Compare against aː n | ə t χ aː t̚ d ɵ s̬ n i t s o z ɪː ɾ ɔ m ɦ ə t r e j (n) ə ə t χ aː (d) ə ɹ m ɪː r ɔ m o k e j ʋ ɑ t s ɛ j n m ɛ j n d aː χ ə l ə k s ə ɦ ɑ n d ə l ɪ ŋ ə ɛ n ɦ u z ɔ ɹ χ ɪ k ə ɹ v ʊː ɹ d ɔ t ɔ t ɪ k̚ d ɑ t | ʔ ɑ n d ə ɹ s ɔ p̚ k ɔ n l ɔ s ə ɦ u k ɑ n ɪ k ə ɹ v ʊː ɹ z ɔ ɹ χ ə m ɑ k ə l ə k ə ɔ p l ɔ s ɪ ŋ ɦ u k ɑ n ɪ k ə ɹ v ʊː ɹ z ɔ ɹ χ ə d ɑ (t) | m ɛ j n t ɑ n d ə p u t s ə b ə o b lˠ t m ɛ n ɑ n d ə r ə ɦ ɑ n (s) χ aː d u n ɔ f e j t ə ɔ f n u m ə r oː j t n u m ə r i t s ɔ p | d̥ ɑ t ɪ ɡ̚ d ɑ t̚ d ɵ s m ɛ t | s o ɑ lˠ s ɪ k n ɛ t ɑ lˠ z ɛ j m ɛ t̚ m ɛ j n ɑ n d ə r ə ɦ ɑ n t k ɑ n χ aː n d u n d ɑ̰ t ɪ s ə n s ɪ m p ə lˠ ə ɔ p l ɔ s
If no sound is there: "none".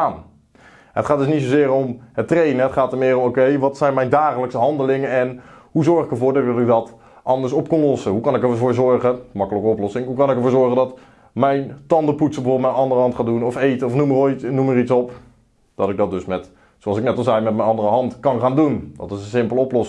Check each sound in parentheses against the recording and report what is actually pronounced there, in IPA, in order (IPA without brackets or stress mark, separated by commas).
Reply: n, t, t, t